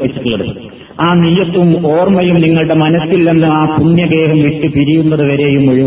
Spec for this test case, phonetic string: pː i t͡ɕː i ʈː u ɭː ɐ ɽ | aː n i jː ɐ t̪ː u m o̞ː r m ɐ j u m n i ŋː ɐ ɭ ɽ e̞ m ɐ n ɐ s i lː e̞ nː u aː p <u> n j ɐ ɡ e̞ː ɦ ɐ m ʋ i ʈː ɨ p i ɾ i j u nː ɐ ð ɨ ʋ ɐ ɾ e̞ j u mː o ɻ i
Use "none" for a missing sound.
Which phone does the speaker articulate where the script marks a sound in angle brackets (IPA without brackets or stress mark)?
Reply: u